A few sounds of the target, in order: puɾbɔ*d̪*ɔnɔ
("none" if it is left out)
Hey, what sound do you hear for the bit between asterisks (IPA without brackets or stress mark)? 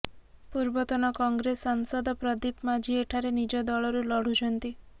t̪